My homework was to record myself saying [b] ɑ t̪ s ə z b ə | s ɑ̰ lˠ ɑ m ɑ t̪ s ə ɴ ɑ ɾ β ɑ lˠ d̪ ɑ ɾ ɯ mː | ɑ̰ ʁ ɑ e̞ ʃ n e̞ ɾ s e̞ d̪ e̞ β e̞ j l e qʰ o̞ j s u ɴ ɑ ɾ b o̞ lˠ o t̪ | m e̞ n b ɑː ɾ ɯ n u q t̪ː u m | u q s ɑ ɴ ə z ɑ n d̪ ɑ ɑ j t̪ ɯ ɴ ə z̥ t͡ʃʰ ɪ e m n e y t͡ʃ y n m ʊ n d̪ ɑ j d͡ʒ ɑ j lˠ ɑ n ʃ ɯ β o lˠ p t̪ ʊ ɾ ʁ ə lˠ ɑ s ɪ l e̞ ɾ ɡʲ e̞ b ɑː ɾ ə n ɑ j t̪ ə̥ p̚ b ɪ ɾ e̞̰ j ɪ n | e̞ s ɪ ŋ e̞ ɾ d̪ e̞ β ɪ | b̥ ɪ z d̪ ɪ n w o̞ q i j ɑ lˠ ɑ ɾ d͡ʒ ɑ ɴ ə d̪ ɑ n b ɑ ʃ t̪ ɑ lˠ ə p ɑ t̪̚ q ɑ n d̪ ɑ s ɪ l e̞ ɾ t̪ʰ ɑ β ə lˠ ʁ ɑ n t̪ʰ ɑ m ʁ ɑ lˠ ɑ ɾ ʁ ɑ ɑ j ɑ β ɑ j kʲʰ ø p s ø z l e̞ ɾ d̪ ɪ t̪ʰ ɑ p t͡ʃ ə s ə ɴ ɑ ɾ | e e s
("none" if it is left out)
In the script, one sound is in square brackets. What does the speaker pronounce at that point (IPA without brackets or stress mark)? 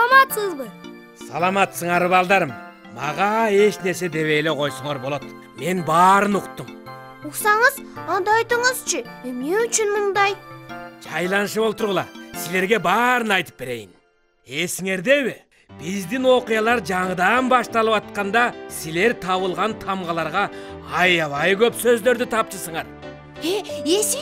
m